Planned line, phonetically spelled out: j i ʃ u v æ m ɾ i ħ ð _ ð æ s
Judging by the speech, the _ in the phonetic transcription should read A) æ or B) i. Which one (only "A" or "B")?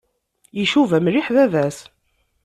A